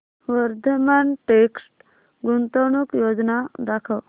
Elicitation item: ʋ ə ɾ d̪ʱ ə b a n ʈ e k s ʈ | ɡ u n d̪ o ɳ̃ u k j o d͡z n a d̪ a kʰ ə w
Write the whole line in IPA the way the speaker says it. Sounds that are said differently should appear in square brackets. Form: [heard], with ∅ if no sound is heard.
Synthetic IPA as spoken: ʋ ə ɾ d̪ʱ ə [m] a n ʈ e k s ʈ | ɡ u n [t̪] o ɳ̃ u k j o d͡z n a d̪ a kʰ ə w